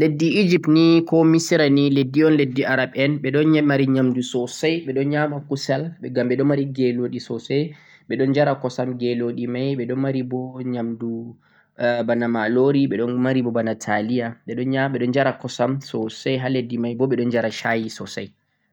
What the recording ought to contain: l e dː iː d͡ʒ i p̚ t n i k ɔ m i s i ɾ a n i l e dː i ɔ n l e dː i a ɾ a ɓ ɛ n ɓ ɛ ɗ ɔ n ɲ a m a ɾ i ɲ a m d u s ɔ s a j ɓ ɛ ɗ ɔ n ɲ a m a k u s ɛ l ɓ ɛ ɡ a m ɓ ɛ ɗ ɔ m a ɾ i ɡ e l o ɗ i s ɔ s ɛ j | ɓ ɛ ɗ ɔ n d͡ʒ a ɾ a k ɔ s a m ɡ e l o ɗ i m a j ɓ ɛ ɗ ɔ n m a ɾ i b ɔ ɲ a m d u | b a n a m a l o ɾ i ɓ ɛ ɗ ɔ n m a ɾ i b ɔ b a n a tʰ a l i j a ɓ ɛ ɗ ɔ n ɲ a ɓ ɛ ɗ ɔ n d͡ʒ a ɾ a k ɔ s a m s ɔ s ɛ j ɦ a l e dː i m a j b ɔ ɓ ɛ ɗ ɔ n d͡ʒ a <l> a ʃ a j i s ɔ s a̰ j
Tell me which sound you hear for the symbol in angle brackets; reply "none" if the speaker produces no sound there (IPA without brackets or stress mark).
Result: ɾ